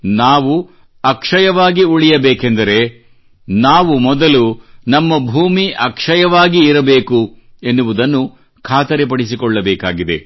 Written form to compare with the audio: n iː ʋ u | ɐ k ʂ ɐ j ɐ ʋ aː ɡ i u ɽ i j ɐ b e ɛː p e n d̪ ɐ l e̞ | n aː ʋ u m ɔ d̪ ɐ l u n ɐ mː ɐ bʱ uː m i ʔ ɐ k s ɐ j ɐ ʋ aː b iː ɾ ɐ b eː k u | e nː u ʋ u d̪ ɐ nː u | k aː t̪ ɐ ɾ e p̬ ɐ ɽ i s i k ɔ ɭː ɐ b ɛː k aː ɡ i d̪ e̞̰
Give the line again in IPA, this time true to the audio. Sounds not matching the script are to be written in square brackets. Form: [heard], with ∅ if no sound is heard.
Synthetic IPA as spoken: n [aː] ʋ u | ɐ k ʂ ɐ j ɐ ʋ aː ɡ i u [ɭ] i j ɐ b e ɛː [k] e n d̪ ɐ [ɾ] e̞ | n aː ʋ u m ɔ d̪ ɐ l u n ɐ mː ɐ bʱ uː m i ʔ ɐ k [ʂ] ɐ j ɐ ʋ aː [ɡ] iː ɾ ɐ b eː k u | e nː u ʋ u d̪ ɐ nː u | [kʰ] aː t̪ ɐ ɾ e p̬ ɐ ɽ i s i k ɔ ɭː ɐ b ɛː k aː ɡ i d̪ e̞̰